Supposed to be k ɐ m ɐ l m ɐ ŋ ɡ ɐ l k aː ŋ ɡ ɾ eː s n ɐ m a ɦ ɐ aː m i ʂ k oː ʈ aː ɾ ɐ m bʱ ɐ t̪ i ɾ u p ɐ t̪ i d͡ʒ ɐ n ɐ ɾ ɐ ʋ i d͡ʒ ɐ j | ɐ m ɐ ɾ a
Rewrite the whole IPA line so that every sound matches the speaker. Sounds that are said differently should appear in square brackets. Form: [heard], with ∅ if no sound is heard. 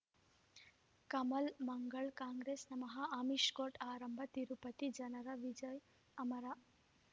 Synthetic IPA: k ɐ m ɐ l m ɐ ŋ ɡ ɐ [ɭ] k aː ŋ ɡ ɾ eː s n ɐ m [ɐ] ɦ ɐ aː m i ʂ k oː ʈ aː ɾ ɐ m bʱ ɐ t̪ i ɾ u p ɐ t̪ i d͡ʒ ɐ n ɐ ɾ ɐ ʋ i d͡ʒ ɐ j | ɐ m ɐ ɾ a

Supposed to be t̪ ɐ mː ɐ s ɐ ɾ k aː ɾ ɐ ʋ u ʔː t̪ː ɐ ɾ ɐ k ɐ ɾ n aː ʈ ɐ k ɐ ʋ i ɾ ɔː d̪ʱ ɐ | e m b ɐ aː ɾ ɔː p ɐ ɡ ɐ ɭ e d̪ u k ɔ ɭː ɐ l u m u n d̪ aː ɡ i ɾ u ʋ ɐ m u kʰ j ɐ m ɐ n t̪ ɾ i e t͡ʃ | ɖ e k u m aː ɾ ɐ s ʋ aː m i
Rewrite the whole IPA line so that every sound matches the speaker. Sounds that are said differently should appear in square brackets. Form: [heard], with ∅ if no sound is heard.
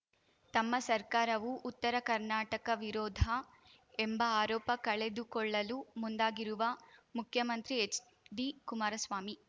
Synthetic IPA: t̪ ɐ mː ɐ s ɐ ɾ k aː ɾ ɐ ʋ u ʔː t̪ː ɐ ɾ ɐ k ɐ ɾ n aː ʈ ɐ k ɐ ʋ i ɾ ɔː d̪ʱ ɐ | e m b ɐ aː ɾ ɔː p ɐ [k] ɐ ɭ e d̪ u k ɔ ɭː ɐ l u m u n d̪ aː ɡ i ɾ u ʋ ɐ m u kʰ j ɐ m ɐ n t̪ ɾ i e t͡ʃ | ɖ [i] k u m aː ɾ ɐ s ʋ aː m i

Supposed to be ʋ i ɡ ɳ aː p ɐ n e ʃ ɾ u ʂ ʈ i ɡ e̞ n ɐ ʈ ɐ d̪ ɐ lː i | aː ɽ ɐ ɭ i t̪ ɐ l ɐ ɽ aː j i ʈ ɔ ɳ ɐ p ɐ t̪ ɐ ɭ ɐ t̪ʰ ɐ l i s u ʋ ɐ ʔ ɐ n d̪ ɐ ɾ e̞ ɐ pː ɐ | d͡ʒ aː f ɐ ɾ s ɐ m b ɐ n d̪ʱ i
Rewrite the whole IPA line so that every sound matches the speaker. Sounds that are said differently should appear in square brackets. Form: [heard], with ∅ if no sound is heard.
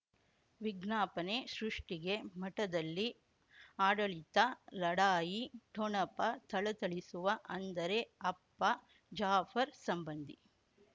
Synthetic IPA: ʋ i ɡ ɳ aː p ɐ n e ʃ ɾ u ʂ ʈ i ɡ e̞ [m] ɐ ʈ ɐ d̪ ɐ lː i | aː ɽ ɐ ɭ i t̪ ɐ l ɐ ɽ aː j i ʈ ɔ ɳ ɐ p ɐ t̪ ɐ ɭ ɐ [t̪] ɐ [ɭ] i s u ʋ ɐ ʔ ɐ n d̪ ɐ ɾ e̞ ɐ pː ɐ | d͡ʒ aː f ɐ ɾ s ɐ m b ɐ n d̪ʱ i

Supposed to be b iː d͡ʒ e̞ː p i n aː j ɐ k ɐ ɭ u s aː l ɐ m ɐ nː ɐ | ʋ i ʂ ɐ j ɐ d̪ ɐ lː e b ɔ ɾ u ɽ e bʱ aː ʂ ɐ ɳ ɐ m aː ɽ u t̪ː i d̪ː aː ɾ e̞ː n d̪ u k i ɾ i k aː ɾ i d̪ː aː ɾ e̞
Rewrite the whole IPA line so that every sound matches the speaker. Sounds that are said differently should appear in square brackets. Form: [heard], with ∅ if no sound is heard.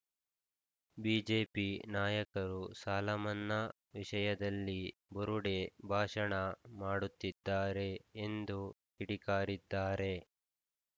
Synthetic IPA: b iː d͡ʒ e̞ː p i n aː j ɐ k ɐ [ɾ] u s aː l ɐ m ɐ nː ɐ | ʋ i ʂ ɐ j ɐ d̪ ɐ lː [i] b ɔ ɾ u ɽ e bʱ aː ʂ ɐ ɳ ɐ m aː ɽ u t̪ː i d̪ː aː ɾ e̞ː n d̪ u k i [ɽ] i k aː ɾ i d̪ː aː ɾ e̞

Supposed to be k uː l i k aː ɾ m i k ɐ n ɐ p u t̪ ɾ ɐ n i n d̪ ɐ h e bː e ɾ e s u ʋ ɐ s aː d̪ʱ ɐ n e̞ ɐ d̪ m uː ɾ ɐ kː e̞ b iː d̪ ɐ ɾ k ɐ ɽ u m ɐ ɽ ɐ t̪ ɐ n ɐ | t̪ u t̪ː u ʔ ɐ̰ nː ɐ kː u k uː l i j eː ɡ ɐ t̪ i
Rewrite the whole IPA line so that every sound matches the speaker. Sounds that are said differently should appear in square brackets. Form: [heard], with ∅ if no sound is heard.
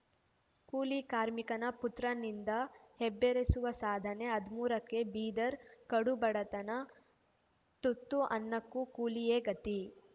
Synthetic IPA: k uː l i k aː ɾ m i k ɐ n ɐ p u t̪ ɾ ɐ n i n d̪ ɐ h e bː e ɾ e s u ʋ ɐ s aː d̪ʱ ɐ n e̞ ɐ d̪ m uː ɾ ɐ kː e̞ b iː d̪ ɐ ɾ k ɐ ɽ u [b] ɐ ɽ ɐ t̪ ɐ n ɐ | t̪ u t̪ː u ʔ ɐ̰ nː ɐ kː u k uː l i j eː ɡ ɐ t̪ i

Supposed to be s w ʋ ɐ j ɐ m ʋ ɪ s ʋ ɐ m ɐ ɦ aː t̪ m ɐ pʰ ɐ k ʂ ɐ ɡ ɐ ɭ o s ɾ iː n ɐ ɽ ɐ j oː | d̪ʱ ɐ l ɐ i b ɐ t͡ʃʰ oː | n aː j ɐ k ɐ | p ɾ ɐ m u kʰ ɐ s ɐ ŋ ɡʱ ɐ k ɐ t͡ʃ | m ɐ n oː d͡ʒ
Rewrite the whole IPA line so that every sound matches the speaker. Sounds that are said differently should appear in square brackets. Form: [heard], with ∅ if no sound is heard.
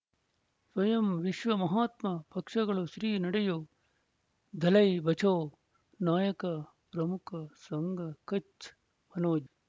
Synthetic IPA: s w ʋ ɐ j ɐ m ʋ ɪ [ʃ] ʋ ɐ m ɐ ɦ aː t̪ m ɐ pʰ ɐ k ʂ ɐ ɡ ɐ ɭ o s ɾ iː n ɐ ɽ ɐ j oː | d̪ʱ ɐ l ɐ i b ɐ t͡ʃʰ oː | n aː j ɐ k ɐ | p ɾ ɐ m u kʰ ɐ s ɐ ŋ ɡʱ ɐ k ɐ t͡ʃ | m ɐ n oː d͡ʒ

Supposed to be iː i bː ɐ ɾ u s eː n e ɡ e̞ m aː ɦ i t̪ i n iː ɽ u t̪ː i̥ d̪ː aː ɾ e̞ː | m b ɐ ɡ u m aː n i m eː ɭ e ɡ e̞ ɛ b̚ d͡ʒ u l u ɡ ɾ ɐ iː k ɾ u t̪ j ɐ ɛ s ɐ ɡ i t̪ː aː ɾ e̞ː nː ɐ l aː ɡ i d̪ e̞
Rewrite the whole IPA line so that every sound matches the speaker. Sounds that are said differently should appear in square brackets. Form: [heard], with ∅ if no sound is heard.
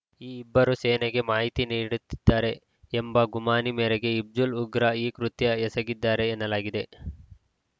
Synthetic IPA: iː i bː ɐ ɾ u s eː n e ɡ e̞ m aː ɦ i t̪ i n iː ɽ u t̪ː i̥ d̪ː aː ɾ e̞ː | m b ɐ ɡ u m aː n i m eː [ɾ] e ɡ e̞ [i] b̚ d͡ʒ u l u ɡ ɾ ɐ iː k ɾ u t̪ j ɐ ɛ s ɐ ɡ i [d̪ː] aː ɾ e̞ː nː ɐ l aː ɡ i d̪ e̞

